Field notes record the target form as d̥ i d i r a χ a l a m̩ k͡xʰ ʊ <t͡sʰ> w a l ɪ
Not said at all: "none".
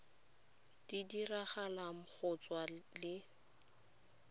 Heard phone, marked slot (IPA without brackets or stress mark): t͡s